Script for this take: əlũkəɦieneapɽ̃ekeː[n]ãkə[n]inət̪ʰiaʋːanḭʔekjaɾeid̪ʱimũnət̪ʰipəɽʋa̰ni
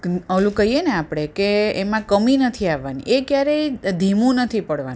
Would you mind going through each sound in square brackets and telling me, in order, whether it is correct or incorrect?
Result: incorrect: m, incorrect: m

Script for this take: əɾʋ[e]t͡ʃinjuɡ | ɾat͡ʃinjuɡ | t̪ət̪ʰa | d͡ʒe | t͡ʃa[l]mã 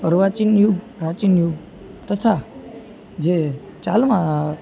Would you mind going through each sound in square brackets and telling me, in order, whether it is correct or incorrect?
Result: incorrect: a, correct

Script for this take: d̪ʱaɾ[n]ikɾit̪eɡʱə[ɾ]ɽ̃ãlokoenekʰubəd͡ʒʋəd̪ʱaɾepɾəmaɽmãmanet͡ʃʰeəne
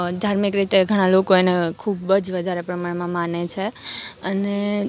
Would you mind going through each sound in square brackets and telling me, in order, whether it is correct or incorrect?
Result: incorrect: m, incorrect: none

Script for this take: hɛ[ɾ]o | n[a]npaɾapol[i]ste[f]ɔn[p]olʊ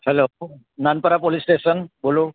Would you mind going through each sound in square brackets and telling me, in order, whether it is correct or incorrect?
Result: incorrect: l, correct, correct, incorrect: s, incorrect: b

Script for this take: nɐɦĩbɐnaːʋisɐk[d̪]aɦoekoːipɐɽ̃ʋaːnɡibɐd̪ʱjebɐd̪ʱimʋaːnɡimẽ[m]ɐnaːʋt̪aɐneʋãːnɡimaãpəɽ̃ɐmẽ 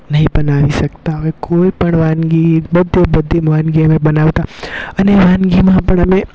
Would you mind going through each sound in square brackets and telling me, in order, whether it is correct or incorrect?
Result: incorrect: t̪, incorrect: b

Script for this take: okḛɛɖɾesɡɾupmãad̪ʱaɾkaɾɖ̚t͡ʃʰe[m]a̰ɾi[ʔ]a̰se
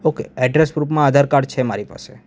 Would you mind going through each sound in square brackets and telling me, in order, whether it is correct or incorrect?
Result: correct, incorrect: p

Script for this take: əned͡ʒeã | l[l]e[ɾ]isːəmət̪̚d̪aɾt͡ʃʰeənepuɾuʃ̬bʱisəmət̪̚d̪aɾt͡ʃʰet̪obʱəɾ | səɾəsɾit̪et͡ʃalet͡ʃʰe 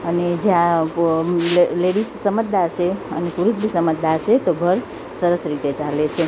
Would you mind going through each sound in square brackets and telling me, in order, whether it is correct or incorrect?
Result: correct, incorrect: ɽ

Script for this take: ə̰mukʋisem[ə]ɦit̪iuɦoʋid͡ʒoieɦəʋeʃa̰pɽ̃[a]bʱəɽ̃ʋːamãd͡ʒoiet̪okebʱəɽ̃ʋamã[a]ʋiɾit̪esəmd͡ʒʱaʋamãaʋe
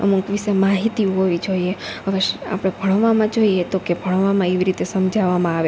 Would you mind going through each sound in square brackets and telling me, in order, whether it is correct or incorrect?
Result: incorrect: a, incorrect: e, incorrect: e

